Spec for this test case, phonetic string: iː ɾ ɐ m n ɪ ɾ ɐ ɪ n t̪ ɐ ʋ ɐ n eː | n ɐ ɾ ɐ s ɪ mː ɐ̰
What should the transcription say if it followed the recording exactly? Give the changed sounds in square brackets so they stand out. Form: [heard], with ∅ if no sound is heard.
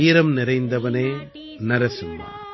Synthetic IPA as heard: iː ɾ ɐ m n ɪ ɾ ɐ ɪ n [d̪] ɐ ʋ ɐ n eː | n ɐ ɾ ɐ s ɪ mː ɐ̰